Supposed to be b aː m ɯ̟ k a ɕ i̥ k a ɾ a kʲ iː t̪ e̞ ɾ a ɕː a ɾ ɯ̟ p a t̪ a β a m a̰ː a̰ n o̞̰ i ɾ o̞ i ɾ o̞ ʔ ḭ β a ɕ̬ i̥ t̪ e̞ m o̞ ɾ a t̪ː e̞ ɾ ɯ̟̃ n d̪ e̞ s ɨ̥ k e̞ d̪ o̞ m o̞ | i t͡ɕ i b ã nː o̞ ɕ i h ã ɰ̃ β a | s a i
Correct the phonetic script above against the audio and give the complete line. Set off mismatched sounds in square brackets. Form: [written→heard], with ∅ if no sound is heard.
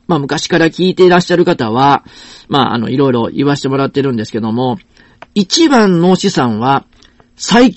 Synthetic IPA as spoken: [b→m] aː m ɯ̟ k a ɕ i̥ k a ɾ a kʲ iː t̪ e̞ ɾ a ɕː a ɾ ɯ̟ [p→k] a t̪ a β a m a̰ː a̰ n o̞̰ i ɾ o̞ i ɾ o̞ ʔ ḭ β a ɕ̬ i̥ t̪ e̞ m o̞ ɾ a t̪ː e̞ ɾ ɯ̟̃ n d̪ e̞ s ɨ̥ k e̞ d̪ o̞ m o̞ | i t͡ɕ i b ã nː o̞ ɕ i [h→s] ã ɰ̃ β a | s a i